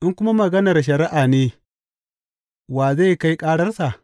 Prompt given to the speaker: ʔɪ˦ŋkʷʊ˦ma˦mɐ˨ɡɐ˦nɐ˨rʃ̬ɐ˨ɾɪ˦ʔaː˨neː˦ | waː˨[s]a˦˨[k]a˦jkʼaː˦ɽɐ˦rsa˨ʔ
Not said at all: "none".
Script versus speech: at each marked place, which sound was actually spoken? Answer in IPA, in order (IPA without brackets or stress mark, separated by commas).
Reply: z, k